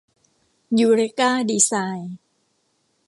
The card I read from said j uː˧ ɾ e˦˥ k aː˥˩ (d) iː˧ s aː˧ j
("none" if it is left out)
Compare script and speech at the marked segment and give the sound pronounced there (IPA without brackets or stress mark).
d